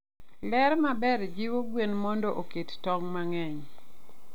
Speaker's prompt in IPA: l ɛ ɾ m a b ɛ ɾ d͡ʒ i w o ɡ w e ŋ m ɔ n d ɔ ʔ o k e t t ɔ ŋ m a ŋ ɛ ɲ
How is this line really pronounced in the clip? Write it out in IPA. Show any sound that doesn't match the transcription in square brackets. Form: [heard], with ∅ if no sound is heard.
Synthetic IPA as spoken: l ɛ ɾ m a b ɛ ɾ d͡ʒ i w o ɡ w e [n] m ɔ n d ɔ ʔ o k e t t ɔ ŋ m a ŋ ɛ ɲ